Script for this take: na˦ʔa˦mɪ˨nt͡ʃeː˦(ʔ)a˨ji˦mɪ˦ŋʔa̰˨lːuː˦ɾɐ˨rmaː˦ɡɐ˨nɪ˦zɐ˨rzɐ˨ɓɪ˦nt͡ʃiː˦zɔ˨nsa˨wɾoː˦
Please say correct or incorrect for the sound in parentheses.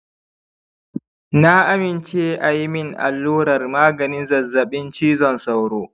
correct